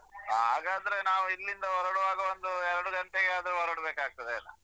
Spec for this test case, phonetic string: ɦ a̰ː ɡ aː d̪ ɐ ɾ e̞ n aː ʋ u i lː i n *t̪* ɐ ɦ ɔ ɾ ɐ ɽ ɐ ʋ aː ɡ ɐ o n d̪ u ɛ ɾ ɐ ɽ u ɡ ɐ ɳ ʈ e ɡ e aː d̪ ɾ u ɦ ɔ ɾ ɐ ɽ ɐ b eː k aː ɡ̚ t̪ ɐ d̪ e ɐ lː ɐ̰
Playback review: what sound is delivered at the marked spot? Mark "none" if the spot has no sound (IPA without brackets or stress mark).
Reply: d̪